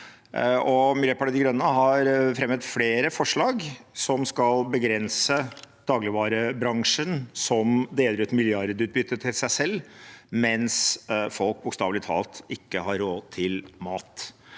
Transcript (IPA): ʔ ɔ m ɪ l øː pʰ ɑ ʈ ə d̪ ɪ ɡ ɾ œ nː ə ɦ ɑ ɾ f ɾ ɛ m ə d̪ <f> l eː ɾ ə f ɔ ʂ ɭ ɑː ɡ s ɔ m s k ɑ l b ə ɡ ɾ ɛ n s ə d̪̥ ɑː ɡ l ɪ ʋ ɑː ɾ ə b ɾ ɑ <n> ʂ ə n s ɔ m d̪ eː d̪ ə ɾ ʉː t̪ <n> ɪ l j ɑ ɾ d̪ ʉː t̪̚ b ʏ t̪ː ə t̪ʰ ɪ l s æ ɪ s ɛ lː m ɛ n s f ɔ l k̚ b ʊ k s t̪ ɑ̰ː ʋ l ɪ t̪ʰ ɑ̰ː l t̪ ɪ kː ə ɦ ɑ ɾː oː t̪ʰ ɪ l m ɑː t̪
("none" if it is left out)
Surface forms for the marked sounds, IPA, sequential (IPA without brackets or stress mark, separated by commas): f, ŋ, m